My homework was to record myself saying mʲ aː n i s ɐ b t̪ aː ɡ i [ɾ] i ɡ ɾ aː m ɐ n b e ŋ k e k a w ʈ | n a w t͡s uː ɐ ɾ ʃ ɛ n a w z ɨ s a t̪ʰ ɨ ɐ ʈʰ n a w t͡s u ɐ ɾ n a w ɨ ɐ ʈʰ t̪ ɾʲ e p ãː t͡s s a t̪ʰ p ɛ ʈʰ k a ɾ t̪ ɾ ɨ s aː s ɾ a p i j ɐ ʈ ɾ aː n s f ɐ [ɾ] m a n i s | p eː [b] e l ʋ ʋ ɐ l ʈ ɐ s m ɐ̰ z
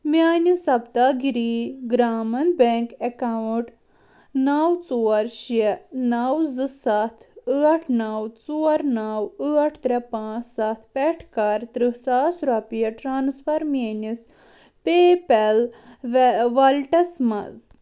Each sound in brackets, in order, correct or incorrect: correct, correct, incorrect: p

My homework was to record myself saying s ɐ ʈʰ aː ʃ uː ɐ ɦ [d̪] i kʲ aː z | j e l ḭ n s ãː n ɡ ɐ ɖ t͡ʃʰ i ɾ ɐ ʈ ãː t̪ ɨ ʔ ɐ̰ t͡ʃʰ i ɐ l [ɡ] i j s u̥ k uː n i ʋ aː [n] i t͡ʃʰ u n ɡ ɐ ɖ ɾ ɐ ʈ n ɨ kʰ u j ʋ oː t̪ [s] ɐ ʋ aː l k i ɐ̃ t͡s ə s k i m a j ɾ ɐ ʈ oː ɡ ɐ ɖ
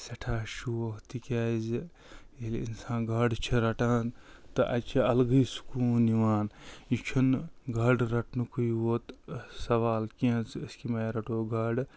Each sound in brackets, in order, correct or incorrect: incorrect: t̪, correct, correct, correct

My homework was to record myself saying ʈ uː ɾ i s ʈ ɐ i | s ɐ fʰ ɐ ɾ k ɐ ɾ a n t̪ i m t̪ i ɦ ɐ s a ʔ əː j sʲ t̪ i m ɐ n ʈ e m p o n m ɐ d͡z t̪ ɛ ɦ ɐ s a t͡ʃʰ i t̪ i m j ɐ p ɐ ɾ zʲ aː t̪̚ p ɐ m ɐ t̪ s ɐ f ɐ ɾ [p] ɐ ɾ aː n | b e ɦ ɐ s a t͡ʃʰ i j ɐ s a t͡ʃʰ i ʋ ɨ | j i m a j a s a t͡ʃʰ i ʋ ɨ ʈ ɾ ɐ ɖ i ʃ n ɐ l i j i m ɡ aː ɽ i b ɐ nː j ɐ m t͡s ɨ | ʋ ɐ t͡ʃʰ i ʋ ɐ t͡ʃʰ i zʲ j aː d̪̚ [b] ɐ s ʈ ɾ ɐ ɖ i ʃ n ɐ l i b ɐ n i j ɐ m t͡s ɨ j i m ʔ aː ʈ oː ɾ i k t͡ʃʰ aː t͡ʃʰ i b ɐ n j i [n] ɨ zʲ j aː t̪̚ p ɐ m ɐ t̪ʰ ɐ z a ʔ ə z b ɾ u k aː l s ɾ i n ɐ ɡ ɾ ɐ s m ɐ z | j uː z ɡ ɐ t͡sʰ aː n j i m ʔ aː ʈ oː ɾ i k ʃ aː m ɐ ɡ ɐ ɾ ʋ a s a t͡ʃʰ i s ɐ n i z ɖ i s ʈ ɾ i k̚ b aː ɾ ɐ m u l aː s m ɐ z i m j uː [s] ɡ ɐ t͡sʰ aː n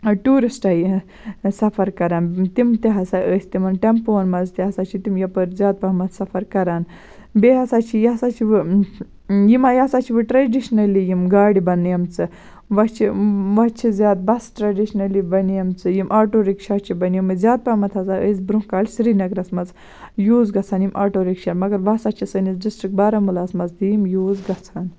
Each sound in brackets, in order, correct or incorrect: incorrect: k, correct, incorrect: m, incorrect: z

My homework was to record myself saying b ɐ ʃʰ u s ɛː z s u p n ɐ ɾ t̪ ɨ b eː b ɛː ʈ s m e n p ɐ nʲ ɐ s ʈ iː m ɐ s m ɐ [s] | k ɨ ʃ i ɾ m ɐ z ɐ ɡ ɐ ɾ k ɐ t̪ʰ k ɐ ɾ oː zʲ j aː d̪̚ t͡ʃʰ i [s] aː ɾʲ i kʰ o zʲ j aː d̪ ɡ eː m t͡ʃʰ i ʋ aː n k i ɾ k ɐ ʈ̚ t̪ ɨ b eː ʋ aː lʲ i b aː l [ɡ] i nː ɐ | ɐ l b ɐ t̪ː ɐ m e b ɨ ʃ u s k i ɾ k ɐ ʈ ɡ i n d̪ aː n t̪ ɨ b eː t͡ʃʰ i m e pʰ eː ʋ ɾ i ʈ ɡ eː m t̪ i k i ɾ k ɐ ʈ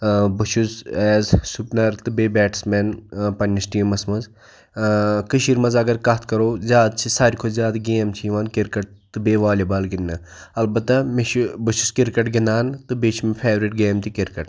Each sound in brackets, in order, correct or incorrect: incorrect: z, correct, correct

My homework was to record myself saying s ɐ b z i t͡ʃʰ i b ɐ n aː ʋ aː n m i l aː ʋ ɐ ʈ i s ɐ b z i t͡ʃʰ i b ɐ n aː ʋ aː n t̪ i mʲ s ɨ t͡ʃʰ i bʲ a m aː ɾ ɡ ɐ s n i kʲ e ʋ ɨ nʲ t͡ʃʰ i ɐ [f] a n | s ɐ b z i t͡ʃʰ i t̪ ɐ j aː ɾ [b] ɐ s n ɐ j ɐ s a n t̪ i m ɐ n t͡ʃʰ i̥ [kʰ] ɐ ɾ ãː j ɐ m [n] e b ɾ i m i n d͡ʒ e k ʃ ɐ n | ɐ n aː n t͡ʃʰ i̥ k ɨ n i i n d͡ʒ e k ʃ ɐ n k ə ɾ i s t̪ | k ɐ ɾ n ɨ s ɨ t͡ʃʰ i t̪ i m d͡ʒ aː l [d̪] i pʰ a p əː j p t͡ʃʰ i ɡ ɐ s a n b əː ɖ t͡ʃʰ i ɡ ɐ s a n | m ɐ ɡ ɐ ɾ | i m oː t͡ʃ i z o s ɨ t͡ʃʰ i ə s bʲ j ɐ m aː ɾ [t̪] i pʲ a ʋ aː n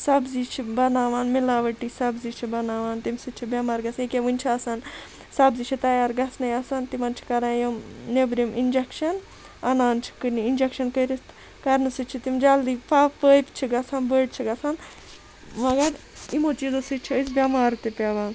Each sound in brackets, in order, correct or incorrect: incorrect: s, incorrect: ɡ, incorrect: k, correct, correct, correct

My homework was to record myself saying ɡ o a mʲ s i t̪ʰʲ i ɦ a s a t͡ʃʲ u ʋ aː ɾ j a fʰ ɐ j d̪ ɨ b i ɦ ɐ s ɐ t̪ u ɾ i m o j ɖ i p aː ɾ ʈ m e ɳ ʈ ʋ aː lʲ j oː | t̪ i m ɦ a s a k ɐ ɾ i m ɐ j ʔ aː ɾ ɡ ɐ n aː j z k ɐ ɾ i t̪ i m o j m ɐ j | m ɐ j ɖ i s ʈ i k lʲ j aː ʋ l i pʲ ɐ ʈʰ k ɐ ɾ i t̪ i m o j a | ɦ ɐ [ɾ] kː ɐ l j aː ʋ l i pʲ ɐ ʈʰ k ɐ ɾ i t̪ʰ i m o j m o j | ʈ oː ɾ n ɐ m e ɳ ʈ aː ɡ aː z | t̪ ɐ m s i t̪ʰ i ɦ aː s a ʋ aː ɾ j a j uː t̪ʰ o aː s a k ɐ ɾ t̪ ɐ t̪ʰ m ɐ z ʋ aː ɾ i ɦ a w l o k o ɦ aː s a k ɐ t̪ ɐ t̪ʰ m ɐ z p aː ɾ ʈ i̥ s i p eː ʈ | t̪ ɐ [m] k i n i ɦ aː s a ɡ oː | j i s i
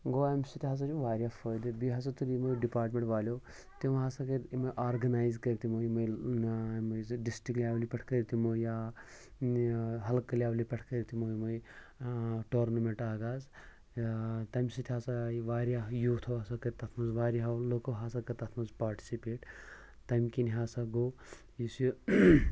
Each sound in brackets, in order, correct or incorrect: incorrect: l, correct

